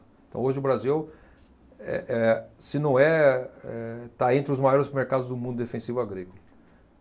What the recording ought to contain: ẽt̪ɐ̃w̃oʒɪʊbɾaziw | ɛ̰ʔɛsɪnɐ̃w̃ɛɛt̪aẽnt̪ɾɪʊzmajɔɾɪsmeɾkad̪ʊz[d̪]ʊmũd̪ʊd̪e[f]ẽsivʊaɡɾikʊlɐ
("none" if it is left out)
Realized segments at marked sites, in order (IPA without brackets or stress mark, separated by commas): d̪, f